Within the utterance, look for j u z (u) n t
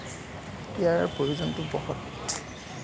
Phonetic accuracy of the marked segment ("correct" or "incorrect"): incorrect